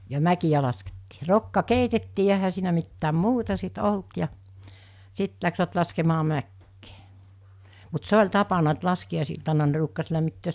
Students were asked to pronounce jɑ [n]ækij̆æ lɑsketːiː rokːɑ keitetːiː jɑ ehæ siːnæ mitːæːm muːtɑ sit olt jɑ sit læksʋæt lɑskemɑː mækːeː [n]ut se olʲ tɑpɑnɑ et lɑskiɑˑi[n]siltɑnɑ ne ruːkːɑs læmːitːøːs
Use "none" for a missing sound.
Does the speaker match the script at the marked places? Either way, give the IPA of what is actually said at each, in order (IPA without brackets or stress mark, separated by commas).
m, m, none